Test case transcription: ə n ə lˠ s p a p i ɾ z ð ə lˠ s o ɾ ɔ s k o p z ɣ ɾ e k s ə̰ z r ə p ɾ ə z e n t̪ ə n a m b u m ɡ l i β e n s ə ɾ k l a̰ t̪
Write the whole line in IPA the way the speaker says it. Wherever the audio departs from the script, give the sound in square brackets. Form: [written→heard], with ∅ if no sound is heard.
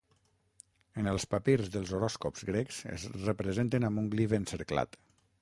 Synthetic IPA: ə n ə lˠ s p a p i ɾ z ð ə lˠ [s→z] o ɾ ɔ s k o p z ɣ ɾ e k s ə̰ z r ə p ɾ ə z e n t̪ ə n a m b u [m→ŋ] ɡ l i β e n s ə ɾ k l a̰ t̪